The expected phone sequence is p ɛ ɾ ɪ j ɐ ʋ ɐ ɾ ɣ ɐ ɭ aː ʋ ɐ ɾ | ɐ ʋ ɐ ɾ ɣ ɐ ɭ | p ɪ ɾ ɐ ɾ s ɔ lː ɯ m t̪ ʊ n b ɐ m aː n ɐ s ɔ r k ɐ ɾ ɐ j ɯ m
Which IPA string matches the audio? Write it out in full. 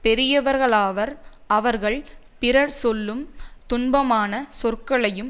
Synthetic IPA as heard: p ɛ ɾ ɪ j ɐ ʋ ɐ ɾ ɣ ɐ ɭ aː ʋ ɐ ɾ | ɐ ʋ ɐ ɾ ɣ ɐ ɭ | p ɪ ɾ ɐ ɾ s ɔ lː ɯ m t̪ ʊ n b ɐ m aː n ɐ s ɔ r k ɐ ɭ ɐ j ɯ m